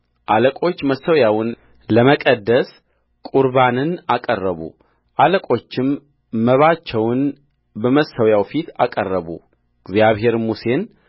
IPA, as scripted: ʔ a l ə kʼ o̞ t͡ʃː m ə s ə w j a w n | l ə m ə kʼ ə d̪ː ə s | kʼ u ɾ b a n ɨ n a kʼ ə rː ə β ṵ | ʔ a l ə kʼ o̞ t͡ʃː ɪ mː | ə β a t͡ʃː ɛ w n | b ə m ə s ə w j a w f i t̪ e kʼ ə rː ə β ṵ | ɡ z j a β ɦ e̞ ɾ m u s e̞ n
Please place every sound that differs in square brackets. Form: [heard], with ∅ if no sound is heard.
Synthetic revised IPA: ʔ a l ə kʼ o̞ t͡ʃː m ə s ə w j a w n | l ə m ə kʼ ə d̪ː ə s | kʼ u ɾ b a n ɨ n a kʼ ə rː ə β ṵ | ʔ a l ə kʼ o̞ t͡ʃː ɪ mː | ə β a t͡ʃː ɛ w n | b ə m ə s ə w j a w f i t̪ [a] kʼ ə rː ə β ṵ | ɡ z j a β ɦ e̞ ɾ m u s e̞ n